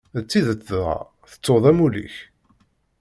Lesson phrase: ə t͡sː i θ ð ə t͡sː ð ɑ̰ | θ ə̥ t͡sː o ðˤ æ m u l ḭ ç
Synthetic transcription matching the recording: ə t͡sː i ð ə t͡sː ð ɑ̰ | θ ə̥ t͡sː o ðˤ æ m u l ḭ ç